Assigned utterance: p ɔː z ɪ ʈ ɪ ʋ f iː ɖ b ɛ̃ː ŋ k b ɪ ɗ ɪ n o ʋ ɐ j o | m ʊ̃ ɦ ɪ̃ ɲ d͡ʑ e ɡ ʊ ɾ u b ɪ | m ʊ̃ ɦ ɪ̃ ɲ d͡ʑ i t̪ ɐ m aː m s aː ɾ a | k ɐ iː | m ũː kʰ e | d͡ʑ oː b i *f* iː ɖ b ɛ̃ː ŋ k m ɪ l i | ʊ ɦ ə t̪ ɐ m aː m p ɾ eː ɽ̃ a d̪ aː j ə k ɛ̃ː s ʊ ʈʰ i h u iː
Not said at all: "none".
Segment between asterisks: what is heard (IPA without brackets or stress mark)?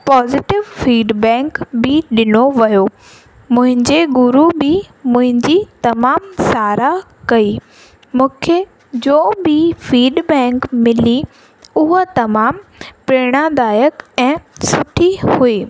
f